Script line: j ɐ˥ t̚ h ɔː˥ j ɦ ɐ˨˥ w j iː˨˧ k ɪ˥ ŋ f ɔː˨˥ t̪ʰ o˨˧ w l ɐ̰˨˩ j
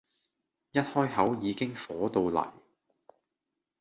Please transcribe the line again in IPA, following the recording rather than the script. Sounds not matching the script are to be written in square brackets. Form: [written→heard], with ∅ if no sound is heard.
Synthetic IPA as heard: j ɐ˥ t̚ h ɔː˥ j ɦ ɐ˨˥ w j iː˨˧ k ɪ˥ ŋ f ɔː˨˥ [t̪ʰ→t̪] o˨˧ w l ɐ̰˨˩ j